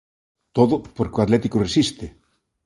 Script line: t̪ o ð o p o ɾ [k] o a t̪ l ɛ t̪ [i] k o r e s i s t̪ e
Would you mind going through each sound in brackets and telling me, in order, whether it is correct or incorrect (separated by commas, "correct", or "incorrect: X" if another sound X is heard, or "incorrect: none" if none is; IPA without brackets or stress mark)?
correct, correct